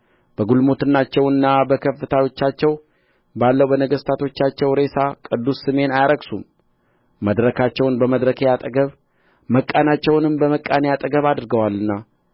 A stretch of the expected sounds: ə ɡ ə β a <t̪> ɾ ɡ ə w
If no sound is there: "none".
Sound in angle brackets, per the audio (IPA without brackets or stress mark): d̪